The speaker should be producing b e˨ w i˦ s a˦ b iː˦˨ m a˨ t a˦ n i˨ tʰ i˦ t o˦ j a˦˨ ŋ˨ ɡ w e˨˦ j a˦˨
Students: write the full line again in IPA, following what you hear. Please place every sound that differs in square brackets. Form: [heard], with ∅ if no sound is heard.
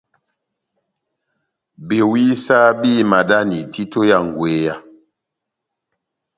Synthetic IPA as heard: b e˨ w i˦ s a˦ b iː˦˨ m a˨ [d] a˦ n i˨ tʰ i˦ t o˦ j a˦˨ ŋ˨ ɡ w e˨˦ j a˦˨